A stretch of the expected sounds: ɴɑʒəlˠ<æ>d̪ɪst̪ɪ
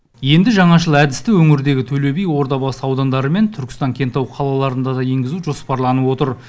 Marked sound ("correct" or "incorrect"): correct